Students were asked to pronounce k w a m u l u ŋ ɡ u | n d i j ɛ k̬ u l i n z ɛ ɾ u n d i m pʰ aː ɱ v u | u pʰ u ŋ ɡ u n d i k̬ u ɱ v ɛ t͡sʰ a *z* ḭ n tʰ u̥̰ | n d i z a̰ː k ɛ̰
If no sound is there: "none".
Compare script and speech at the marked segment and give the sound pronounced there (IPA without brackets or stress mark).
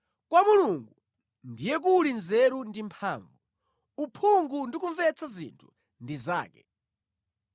z